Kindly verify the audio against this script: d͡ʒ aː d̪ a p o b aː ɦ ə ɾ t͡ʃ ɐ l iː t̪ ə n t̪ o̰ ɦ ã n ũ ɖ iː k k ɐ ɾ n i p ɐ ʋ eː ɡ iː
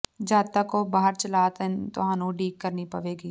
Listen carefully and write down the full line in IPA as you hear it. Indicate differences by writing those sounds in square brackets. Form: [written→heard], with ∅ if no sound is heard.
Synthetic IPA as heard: d͡ʒ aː [d̪→t̪] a [p→k] o b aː ɦ ə ɾ t͡ʃ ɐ l [iː→aː] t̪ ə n t̪ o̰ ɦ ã n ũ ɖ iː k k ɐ ɾ n i p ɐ ʋ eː ɡ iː